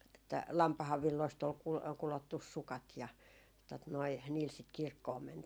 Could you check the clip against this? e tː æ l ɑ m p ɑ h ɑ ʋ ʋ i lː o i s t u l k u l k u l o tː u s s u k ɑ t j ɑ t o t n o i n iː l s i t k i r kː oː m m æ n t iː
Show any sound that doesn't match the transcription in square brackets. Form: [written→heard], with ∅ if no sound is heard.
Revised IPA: e tː æ l ɑ m p ɑ h ɑ ʋ ʋ i lː o i s t [u→o] l k u l k u l o tː u s s u k ɑ t j ɑ t o t n o i n iː l s i t k i r kː oː m m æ n t iː